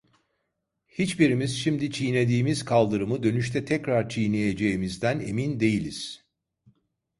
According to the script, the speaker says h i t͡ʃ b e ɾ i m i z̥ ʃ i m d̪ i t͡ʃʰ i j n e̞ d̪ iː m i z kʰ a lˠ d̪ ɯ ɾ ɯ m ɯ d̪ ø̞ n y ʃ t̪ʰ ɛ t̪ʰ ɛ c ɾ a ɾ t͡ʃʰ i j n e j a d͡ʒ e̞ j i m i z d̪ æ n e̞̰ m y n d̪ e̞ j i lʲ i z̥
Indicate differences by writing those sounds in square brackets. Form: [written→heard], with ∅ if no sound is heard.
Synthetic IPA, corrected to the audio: h i t͡ʃ b [e→i] ɾ i m i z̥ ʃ i m d̪ i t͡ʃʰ i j n e̞ d̪ iː m i z kʰ a lˠ d̪ ɯ ɾ ɯ m ɯ d̪ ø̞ n y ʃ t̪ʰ ɛ t̪ʰ ɛ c ɾ a ɾ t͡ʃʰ i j n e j [a→e] d͡ʒ e̞ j i m i z d̪ æ n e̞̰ m [y→i] n d̪ e̞ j i lʲ i z̥